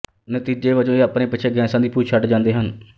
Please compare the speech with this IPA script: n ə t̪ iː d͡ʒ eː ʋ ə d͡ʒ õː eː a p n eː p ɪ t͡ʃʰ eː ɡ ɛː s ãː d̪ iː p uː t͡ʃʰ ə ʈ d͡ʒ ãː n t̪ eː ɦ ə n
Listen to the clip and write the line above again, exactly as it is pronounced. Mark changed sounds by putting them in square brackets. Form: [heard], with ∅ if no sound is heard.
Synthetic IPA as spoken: n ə t̪ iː d͡ʒ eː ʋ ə d͡ʒ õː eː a p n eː p ɪ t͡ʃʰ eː ɡ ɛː s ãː d̪ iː p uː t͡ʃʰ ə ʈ d͡ʒ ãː n [d̪] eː ɦ ə n

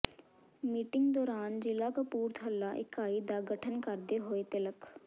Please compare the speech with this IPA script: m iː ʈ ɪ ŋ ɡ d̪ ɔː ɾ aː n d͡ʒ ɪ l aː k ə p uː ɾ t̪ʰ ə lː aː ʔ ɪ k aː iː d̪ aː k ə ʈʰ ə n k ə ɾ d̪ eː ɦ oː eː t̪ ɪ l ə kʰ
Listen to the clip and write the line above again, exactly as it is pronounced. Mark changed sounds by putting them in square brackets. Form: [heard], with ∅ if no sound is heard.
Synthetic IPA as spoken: m iː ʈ ɪ ŋ ɡ d̪ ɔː ɾ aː n d͡ʒ ɪ l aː k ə p uː ɾ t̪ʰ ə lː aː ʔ ɪ k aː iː d̪ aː [ɡ] ə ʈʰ ə n k ə ɾ d̪ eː ɦ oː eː t̪ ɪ l ə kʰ

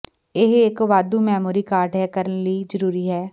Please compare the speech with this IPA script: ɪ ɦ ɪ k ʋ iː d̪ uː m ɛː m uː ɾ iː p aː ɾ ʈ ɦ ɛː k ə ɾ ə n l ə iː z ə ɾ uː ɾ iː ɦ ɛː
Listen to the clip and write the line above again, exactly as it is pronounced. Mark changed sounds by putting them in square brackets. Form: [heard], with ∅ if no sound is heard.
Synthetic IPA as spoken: ɪ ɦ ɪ k ʋ [aː] d̪ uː m ɛː m uː ɾ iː [k] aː ɾ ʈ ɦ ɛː k ə ɾ ə n l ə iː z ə ɾ uː ɾ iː ɦ ɛː

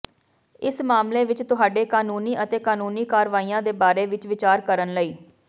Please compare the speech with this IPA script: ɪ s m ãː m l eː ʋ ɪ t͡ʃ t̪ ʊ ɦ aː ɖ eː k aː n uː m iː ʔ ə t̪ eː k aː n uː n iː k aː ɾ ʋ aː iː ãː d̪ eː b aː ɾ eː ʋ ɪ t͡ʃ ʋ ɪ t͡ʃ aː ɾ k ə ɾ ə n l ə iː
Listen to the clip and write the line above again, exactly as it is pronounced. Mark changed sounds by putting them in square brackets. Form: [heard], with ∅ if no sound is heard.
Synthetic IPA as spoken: ɪ s m [aː] m l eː ʋ ɪ t͡ʃ t̪ ʊ ɦ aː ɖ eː k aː n uː [n] iː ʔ ə t̪ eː k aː n uː n iː k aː ɾ ʋ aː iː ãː d̪ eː b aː ɾ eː ʋ ɪ t͡ʃ ʋ ɪ t͡ʃ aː ɾ k ə ɾ ə n l ə iː

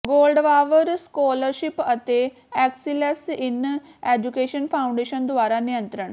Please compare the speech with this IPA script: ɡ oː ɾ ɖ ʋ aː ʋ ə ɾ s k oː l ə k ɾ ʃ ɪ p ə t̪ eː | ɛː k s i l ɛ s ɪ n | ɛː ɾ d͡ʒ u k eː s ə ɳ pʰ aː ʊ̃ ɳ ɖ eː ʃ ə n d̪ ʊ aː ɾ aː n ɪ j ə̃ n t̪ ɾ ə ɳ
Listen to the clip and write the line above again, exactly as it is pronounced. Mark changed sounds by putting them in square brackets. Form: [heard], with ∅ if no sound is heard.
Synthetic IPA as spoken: ɡ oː [l] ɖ ʋ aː ʋ ə ɾ s k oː l ə [∅] ɾ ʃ ɪ p ə t̪ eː | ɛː k s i l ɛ s ɪ n | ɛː [∅] d͡ʒ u k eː [ʃ] ə [n] pʰ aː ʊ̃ ɳ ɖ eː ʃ ə n d̪ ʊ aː ɾ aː n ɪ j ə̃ n t̪ ɾ ə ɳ

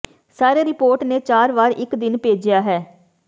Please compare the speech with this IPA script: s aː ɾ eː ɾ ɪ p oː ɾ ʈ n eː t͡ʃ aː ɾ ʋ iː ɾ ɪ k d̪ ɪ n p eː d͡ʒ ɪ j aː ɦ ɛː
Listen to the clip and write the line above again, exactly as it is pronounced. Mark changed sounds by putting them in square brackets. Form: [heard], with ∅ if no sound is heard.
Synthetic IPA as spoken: s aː ɾ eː ɾ ɪ p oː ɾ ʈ n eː t͡ʃ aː ɾ ʋ [aː] ɾ ɪ k d̪ ɪ n p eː d͡ʒ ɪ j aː ɦ ɛː

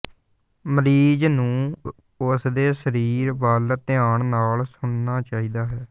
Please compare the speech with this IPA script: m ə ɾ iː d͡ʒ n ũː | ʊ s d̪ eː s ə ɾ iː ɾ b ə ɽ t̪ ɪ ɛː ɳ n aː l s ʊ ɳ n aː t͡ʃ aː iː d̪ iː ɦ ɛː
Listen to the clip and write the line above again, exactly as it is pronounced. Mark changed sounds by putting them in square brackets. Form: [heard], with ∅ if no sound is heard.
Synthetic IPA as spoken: m ə ɾ iː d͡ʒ n ũː | ʊ s d̪ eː s ə ɾ iː ɾ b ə [l] t̪ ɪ [aː] ɳ n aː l s ʊ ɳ n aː t͡ʃ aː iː d̪ [aː] ɦ ɛː

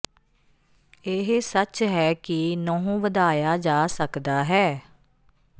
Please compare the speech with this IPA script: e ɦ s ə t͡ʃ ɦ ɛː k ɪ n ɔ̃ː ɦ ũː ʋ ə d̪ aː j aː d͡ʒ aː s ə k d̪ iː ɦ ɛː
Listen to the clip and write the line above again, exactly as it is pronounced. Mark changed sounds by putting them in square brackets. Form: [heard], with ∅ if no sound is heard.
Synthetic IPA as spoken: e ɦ s ə t͡ʃ ɦ ɛː k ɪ n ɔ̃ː ɦ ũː ʋ ə d̪ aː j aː d͡ʒ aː s ə k d̪ [aː] ɦ ɛː

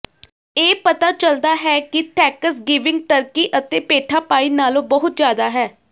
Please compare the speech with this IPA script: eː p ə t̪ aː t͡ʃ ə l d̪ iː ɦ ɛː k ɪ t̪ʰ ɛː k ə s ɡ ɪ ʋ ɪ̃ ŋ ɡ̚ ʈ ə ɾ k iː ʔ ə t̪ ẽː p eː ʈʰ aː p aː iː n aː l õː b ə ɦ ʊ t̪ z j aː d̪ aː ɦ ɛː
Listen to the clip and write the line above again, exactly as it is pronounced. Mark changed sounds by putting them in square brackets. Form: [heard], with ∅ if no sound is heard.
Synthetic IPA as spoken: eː p ə t̪ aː t͡ʃ ə l d̪ [aː] ɦ ɛː k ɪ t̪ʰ ɛː k ə s ɡ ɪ ʋ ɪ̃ ŋ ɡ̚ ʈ ə ɾ k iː ʔ ə t̪ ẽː p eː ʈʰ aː p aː iː n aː l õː b ə ɦ ʊ t̪ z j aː d̪ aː ɦ ɛː

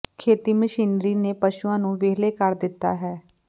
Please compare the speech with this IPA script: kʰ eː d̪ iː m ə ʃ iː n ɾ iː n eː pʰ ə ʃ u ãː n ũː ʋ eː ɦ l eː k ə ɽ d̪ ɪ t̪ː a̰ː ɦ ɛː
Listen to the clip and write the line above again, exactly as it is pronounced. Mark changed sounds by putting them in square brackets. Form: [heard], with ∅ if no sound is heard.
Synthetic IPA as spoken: kʰ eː [t̪] iː m ə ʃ iː n ɾ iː n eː [p] ə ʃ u ãː n ũː ʋ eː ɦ l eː k ə [ɾ] d̪ ɪ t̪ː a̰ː ɦ ɛː

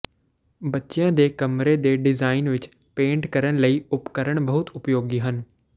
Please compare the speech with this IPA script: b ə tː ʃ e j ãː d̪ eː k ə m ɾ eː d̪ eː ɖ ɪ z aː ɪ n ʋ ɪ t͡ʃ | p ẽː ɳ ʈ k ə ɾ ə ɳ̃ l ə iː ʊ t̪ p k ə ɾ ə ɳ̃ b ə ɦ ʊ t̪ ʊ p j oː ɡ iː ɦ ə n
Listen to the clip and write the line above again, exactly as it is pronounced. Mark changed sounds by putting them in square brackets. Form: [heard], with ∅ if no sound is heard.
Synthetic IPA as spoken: b ə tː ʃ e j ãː d̪ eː k ə m ɾ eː d̪ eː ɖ ɪ z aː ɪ n ʋ ɪ t͡ʃ | p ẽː ɳ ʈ k ə ɾ ə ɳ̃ l ə iː ʊ [∅] p k ə ɾ ə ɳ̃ b ə ɦ ʊ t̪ ʊ p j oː ɡ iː ɦ ə n

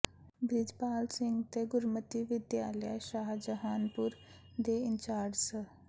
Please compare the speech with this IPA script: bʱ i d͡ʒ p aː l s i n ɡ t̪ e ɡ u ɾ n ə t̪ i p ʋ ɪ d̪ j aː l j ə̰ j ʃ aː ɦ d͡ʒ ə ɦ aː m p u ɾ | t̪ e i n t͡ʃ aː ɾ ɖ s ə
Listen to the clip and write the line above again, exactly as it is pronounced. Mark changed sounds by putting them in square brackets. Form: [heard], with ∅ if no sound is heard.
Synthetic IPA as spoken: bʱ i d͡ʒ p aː l s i [ŋ] ɡ t̪ e ɡ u ɾ [m] ə t̪ i [∅] ʋ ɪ d̪ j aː l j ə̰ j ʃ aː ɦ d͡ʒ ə ɦ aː [n] p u ɾ | [d̪] e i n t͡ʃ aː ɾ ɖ s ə

